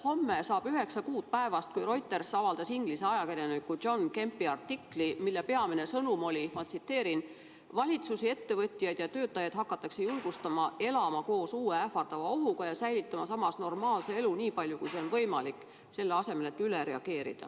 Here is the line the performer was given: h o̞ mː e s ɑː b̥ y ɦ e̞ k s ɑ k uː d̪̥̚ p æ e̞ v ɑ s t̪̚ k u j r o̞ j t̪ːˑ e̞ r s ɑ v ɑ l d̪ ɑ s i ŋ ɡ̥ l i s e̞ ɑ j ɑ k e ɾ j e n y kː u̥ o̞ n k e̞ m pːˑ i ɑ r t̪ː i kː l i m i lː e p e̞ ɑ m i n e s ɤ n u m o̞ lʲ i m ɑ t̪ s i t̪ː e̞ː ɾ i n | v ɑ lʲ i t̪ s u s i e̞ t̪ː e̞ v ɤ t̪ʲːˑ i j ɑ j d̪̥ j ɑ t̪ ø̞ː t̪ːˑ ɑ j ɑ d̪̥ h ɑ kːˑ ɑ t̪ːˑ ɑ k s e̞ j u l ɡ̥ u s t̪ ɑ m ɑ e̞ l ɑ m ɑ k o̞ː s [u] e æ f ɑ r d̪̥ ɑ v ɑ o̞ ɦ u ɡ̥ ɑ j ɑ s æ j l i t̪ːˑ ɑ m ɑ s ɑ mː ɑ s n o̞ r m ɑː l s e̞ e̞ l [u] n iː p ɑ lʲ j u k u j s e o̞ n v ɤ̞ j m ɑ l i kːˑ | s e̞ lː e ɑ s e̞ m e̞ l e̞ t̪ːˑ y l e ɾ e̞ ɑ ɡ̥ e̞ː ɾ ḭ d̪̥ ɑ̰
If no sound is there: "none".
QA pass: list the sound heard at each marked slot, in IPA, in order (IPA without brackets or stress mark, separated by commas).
uː, u